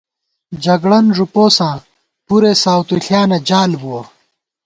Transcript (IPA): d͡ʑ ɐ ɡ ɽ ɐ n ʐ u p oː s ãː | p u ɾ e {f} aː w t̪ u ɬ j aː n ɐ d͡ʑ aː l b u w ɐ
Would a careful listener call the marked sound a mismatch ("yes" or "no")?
yes